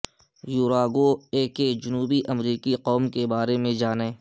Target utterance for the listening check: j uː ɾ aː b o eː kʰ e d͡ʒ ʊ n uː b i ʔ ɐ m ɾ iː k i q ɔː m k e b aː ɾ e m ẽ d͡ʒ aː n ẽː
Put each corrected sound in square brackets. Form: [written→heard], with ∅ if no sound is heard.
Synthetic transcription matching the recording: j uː ɾ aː [b→ɡ] o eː [kʰ→k] e d͡ʒ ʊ n uː b i ʔ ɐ m ɾ iː k i q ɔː m k e b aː ɾ e m ẽ d͡ʒ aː n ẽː